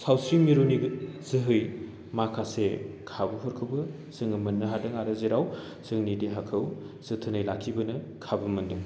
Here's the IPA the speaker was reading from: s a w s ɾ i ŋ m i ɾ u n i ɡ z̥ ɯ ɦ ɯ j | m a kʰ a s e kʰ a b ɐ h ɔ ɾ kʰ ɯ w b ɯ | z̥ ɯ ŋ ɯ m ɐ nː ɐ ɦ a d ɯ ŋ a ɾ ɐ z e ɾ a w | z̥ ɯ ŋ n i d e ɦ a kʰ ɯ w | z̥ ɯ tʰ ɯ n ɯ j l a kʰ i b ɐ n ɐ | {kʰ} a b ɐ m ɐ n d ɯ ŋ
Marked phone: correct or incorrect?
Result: correct